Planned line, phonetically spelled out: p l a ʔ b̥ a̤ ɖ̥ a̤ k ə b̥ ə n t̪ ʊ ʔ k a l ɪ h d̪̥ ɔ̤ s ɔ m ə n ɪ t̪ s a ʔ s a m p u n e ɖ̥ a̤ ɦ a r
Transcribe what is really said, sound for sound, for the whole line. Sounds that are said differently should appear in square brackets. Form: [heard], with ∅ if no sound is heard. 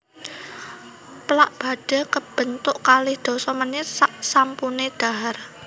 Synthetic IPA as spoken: p l a ʔ b̥ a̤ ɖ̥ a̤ k ə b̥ ə n t̪ ʊ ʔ k a l ɪ h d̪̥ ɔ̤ s ɔ m ə n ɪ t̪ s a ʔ s a m p u n e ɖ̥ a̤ ɦ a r